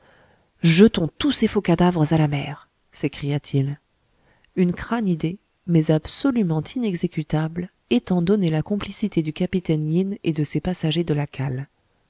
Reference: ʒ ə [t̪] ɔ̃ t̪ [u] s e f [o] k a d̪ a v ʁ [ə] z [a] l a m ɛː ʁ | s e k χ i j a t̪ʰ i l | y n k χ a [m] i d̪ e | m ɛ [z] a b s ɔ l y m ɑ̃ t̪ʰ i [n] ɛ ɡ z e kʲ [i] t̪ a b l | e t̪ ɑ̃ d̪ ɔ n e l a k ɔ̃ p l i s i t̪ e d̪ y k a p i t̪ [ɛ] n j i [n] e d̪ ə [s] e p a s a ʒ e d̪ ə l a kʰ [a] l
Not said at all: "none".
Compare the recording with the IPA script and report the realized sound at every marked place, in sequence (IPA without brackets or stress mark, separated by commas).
t̪, u, o, ə, a, n, z, n, y, ɛ, n, s, a